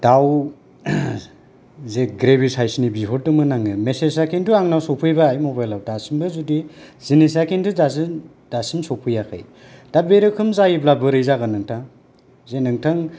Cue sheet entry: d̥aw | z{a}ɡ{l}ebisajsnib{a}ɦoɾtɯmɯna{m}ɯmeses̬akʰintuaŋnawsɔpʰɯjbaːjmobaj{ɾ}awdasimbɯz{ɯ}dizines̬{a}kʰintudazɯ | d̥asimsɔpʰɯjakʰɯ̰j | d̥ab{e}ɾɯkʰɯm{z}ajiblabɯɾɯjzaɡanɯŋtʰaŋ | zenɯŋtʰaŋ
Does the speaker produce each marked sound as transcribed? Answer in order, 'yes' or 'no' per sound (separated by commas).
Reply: no, no, no, no, no, no, yes, yes, yes